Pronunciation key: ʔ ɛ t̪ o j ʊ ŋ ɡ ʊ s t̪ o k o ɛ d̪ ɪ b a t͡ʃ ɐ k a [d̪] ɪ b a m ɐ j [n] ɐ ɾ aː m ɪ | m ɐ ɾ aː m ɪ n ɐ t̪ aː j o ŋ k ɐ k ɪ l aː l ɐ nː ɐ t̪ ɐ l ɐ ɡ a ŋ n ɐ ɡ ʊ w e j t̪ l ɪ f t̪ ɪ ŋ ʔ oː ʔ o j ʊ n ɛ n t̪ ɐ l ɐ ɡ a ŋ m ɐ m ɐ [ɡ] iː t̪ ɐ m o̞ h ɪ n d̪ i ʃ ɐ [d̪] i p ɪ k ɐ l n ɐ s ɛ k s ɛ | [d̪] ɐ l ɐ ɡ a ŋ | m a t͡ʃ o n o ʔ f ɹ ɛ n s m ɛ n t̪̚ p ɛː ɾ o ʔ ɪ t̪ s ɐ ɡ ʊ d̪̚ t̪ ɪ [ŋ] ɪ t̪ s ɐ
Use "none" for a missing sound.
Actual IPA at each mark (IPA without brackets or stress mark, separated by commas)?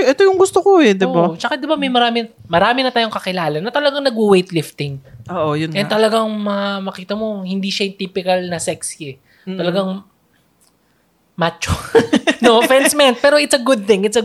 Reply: d̪, m, k, t̪, t̪, ŋ